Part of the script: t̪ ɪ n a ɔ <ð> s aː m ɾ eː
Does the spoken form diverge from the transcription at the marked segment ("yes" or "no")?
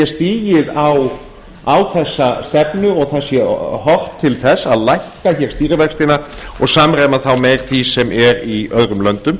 yes